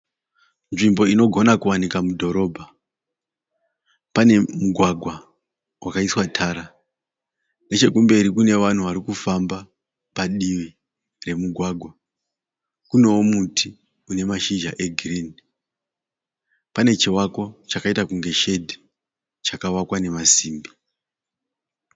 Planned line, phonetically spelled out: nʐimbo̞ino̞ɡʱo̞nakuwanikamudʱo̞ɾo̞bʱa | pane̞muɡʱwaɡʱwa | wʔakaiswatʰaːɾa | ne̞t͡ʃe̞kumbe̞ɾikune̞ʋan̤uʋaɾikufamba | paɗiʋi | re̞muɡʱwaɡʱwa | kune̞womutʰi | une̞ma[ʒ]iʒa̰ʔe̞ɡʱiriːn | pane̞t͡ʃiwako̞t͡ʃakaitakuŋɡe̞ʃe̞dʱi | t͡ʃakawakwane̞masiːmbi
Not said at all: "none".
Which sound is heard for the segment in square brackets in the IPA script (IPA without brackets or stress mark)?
ʃ